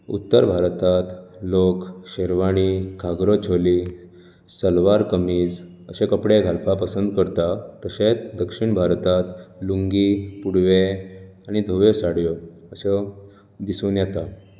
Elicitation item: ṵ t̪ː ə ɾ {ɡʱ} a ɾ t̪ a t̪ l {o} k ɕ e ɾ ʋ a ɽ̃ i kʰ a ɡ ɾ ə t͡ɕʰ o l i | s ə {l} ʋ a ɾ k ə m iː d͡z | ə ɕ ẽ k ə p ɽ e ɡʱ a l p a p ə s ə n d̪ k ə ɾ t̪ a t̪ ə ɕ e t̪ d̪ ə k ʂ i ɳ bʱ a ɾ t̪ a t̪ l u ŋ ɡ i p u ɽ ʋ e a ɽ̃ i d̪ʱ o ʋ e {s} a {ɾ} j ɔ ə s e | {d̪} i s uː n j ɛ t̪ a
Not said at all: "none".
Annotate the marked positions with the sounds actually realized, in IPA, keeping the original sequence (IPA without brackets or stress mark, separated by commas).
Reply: bʱ, o, l, s, ɽ, d̪